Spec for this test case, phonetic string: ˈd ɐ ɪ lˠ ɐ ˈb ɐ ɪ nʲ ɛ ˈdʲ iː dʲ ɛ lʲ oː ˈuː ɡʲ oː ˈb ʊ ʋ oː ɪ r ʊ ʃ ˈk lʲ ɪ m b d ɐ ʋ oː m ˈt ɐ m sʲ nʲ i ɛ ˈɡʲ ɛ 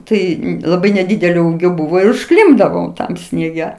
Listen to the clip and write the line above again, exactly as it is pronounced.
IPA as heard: ˈt ɐ ɪ lˠ ɐ ˈb ɐ ɪ nʲ ɛ ˈdʲ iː dʲ ɛ lʲ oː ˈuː ɡʲ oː ˈb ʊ ʋ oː ɪ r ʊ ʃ ˈk lʲ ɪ m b d ɐ ʋ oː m ˈt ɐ m sʲ nʲ i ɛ ˈɡʲ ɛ

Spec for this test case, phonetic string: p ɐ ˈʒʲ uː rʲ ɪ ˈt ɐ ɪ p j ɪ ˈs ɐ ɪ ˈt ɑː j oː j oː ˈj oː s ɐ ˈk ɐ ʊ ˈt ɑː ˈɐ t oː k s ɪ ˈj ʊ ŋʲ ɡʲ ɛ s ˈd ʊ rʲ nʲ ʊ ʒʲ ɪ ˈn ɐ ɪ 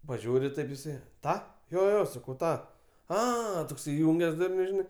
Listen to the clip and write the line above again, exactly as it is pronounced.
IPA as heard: p ɐ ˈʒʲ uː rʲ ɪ ˈt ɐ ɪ p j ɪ ˈs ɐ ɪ ˈt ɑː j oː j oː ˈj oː s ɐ ˈk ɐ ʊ ˈt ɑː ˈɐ t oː k s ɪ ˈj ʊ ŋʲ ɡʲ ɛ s ˈd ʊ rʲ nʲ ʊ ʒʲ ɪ ˈn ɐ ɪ

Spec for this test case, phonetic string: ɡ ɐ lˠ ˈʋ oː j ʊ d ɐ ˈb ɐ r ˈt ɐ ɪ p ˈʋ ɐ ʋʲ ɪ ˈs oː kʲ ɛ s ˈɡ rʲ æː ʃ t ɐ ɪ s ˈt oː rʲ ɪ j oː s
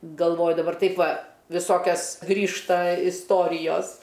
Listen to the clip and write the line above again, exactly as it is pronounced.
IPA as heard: ɡ ɐ lˠ ˈʋ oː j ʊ d ɐ ˈb ɐ r ˈt ɐ ɪ p ˈʋ ɐ ʋʲ ɪ ˈs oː kʲ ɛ s ˈɡ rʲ iː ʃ t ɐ ɪ s ˈt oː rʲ ɪ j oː s

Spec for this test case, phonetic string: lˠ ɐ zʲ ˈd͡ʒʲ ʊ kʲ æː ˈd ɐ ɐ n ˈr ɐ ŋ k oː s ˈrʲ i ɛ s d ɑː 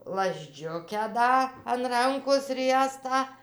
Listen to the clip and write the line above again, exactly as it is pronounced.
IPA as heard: lˠ ɐ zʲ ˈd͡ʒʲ ʊ kʲ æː ˈd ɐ ɐ n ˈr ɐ ŋ k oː s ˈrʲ i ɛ s t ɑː

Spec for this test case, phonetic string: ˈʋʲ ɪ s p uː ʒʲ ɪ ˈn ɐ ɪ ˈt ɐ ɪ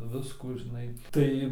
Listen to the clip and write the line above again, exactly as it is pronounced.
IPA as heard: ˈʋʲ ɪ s k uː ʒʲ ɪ ˈn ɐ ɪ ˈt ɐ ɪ

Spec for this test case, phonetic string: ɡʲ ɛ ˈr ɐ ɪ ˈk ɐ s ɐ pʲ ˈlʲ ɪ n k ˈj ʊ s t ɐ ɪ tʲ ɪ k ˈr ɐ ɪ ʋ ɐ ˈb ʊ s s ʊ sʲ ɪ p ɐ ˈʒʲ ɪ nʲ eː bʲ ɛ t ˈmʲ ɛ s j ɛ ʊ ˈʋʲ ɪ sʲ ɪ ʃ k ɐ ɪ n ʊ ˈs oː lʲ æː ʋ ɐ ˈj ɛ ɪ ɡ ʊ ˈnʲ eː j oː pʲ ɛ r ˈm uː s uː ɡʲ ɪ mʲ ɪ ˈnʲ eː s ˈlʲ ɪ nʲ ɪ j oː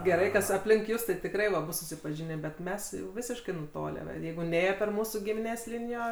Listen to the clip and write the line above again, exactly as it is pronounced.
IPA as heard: ɡʲ ɛ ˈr ɐ ɪ ˈk ɐ s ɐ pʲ ˈlʲ ɪ ŋ k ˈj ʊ s t ɐ ɪ tʲ ɪ k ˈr ɐ ɪ ʋ ɐ ˈb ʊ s s ʊ sʲ ɪ p ɐ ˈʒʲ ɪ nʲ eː bʲ ɛ t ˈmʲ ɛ s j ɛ ʊ ˈʋʲ ɪ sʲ ɪ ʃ k ɐ ɪ n ʊ ˈt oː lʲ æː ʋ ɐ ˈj ɛ ɪ ɡ ʊ ˈnʲ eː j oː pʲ ɛ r ˈm uː s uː ɡʲ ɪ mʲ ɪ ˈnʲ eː s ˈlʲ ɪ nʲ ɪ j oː

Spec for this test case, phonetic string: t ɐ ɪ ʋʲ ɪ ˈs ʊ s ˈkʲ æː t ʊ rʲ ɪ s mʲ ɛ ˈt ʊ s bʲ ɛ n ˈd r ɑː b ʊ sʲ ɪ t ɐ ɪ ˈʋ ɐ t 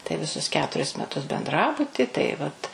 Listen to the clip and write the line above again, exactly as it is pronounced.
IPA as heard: t ɐ ɪ ʋʲ ɪ ˈs ʊ s ˈkʲ æː t ʊ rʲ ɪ s mʲ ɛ ˈt ʊ s bʲ ɛ n ˈd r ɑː b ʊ tʲ ɪ t ɐ ɪ ˈʋ ɐ t

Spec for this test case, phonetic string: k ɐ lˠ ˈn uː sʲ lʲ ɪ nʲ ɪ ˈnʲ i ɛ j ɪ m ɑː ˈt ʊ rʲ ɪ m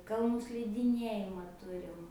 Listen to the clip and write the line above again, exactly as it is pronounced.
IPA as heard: k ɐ lˠ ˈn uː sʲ lʲ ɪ dʲ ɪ ˈnʲ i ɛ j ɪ m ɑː ˈt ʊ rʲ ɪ m

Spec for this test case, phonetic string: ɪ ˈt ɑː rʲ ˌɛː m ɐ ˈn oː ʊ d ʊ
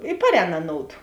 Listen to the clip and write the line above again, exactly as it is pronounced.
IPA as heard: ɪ ˈp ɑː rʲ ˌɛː n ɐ ˈn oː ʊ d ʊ

